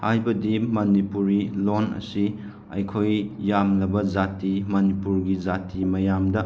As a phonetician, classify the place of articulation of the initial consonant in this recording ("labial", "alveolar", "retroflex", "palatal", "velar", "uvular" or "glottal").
glottal